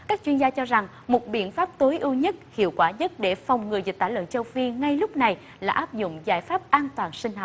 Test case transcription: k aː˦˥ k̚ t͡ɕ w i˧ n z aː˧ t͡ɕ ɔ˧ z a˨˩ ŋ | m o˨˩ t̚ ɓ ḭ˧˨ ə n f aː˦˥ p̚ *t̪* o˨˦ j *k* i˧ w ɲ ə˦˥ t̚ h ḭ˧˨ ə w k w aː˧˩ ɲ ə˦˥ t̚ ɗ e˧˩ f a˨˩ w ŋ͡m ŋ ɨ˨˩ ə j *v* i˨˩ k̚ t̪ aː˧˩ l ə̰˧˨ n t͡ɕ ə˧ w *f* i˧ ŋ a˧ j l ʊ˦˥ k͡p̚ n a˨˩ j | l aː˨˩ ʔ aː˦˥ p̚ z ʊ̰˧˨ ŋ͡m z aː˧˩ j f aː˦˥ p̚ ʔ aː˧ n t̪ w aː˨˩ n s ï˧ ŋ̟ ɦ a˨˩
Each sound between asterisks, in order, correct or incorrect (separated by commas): correct, incorrect, incorrect, correct